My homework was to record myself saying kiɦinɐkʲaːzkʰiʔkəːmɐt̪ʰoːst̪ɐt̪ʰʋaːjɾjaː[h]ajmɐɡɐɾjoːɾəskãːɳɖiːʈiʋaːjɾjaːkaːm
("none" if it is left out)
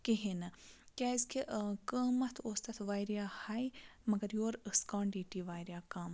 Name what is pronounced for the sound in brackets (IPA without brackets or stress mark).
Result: h